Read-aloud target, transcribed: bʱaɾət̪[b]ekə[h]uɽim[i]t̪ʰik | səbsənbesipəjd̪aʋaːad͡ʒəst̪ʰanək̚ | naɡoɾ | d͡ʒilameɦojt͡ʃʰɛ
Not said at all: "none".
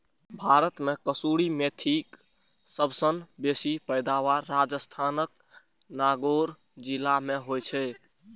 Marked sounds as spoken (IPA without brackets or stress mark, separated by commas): m, s, e